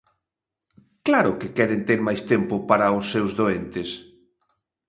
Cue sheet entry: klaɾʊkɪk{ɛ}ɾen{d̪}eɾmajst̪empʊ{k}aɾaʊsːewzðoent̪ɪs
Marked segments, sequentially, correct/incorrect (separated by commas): correct, incorrect, incorrect